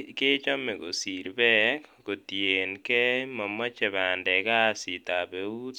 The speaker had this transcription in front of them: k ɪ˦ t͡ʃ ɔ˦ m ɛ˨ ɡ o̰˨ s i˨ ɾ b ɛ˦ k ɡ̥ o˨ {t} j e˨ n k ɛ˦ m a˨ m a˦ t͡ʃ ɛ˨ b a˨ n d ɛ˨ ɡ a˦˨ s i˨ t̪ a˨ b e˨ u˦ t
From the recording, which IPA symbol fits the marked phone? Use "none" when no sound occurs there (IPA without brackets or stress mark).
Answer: t